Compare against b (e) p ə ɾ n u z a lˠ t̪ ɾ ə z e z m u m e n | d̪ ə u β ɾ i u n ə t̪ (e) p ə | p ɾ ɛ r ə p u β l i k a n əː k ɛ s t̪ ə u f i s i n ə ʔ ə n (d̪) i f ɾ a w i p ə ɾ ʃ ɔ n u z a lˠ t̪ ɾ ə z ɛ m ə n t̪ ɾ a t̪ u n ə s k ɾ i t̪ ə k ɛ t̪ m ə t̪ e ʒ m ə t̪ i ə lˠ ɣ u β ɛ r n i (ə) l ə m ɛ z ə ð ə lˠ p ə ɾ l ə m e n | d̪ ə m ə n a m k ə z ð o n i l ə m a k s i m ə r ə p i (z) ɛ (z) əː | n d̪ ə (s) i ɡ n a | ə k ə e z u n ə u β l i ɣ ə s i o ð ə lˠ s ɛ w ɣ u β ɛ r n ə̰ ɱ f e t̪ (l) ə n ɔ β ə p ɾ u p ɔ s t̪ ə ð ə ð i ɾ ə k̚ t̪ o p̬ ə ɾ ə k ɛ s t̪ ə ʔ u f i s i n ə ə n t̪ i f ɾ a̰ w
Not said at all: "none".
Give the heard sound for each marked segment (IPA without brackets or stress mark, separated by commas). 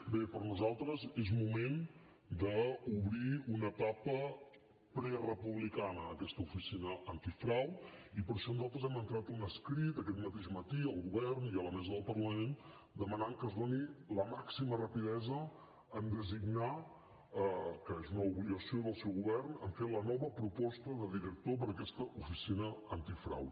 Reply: e, a, t̪, ə, ð, z, z, l